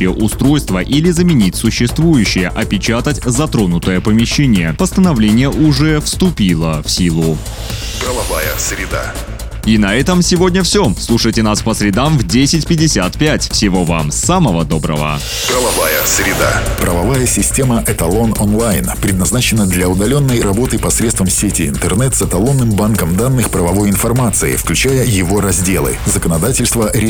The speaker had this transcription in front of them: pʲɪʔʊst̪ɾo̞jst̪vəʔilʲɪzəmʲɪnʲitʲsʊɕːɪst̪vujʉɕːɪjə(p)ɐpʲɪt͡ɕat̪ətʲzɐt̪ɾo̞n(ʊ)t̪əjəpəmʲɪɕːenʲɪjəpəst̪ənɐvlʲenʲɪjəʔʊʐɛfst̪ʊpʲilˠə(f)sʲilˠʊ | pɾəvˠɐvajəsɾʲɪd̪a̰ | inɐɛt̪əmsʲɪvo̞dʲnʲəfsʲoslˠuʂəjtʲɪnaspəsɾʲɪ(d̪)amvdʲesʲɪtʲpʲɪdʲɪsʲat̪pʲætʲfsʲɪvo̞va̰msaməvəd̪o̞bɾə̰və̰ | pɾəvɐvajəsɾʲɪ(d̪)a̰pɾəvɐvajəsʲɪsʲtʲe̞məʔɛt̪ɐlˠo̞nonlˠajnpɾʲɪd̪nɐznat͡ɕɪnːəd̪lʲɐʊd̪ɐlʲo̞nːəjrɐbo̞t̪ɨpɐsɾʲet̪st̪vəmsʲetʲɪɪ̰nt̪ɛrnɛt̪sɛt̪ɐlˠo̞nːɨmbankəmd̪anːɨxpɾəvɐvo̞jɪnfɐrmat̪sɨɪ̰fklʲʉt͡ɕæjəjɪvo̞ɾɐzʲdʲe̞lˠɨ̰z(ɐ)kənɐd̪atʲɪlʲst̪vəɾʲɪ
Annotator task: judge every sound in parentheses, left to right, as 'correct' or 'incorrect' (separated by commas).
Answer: incorrect, correct, correct, correct, correct, incorrect